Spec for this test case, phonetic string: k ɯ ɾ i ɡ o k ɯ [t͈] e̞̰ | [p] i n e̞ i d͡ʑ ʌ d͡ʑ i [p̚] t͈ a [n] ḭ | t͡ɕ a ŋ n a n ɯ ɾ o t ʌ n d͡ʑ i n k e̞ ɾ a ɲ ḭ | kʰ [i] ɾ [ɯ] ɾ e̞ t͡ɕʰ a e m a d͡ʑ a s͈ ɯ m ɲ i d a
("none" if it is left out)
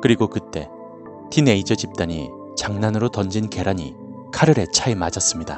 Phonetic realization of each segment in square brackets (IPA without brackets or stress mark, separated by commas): t͈, t, p̚, ɲ, a, ɯ